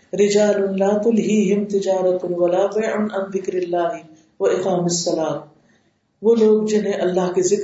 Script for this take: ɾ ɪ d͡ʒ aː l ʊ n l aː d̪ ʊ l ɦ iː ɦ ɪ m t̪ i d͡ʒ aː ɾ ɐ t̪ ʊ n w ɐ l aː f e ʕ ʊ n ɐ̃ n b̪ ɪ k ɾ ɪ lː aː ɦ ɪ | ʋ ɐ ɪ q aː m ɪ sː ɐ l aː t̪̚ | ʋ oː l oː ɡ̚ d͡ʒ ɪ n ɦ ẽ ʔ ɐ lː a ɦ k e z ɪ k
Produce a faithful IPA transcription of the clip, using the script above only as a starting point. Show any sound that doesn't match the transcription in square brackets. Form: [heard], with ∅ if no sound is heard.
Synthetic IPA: ɾ ɪ d͡ʒ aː l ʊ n l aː [t̪] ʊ l ɦ iː ɦ ɪ m t̪ [ɪ] d͡ʒ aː ɾ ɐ t̪ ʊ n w ɐ l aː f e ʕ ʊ n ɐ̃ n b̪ ɪ k ɾ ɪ lː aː ɦ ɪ | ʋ ɐ ɪ q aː m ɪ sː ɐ l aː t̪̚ | ʋ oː l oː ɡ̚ d͡ʒ ɪ n ɦ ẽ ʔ ɐ lː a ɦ k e z ɪ k